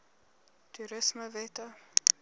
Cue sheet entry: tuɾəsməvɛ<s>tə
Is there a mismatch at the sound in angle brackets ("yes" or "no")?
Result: yes